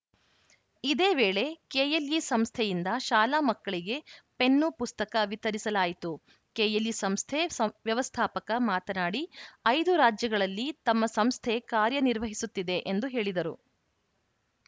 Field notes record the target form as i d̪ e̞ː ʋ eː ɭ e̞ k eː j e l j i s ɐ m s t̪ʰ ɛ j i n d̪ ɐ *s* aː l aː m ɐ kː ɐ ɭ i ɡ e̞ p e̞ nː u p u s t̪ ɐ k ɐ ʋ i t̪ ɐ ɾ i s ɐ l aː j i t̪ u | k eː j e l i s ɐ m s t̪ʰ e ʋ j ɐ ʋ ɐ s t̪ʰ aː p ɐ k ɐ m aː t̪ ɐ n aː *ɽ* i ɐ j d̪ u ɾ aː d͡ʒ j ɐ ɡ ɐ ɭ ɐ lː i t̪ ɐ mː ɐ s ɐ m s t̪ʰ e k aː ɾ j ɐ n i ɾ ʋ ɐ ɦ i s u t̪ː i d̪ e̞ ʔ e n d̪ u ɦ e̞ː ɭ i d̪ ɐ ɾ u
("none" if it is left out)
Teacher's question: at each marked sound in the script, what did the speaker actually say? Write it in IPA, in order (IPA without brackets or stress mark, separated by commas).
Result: ʃ, ɽ